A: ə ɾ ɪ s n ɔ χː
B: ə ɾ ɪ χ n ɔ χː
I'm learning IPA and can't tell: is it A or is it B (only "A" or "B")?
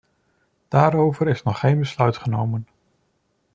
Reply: A